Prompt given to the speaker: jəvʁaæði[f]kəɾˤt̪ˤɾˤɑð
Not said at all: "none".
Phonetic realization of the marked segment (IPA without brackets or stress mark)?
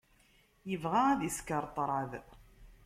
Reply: s